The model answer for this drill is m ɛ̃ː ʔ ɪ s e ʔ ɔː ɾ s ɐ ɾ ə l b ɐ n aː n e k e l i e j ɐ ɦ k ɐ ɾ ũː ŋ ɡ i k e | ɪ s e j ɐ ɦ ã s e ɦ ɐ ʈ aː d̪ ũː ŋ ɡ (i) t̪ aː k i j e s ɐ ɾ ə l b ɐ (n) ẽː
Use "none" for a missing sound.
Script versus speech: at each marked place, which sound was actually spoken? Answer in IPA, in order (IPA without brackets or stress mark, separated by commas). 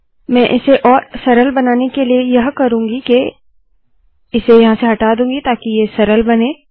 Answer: i, n